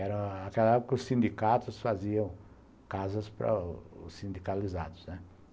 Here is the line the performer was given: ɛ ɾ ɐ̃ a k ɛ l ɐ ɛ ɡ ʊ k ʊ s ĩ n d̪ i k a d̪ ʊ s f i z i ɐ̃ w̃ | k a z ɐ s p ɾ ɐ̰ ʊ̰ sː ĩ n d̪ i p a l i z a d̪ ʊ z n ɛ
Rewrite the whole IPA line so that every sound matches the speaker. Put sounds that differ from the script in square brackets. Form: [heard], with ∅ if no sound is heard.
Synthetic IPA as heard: ɛ ɾ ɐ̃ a k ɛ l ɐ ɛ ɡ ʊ k ʊ s ĩ n d̪ i k a [t̪] ʊ s f [a] z i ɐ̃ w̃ | k a z ɐ s p ɾ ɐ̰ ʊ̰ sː ĩ n d̪ i [k] a l i z a d̪ ʊ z n ɛ